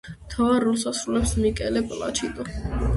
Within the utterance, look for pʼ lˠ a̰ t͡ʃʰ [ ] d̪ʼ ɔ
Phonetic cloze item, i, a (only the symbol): i